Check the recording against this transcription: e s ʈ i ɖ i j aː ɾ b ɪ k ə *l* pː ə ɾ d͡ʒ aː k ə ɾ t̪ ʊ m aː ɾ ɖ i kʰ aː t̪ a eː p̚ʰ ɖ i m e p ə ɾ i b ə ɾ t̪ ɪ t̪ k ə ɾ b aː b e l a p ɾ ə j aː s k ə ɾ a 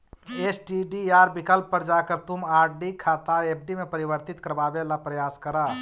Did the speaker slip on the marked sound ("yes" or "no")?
no